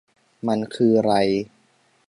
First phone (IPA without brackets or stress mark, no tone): m